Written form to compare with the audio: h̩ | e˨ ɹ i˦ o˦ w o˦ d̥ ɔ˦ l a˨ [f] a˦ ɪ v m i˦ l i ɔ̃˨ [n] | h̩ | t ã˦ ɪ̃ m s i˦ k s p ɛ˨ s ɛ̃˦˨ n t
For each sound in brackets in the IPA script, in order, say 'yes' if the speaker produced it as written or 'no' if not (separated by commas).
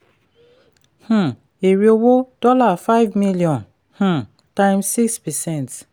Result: yes, yes